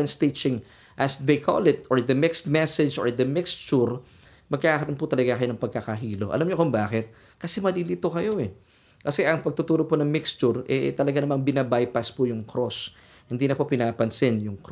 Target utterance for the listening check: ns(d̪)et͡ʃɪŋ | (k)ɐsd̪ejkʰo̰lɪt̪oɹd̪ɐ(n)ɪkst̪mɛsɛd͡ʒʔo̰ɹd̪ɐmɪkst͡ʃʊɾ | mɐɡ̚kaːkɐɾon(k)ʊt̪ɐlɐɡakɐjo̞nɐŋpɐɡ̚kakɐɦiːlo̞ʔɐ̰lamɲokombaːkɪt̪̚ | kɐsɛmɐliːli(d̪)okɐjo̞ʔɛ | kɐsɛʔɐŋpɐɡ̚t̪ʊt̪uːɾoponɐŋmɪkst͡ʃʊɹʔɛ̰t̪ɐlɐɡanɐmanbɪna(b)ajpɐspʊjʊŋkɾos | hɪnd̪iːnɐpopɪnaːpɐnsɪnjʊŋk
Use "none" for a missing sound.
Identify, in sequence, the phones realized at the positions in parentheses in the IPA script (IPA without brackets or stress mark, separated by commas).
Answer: t̪, ʔ, m, p, t̪, b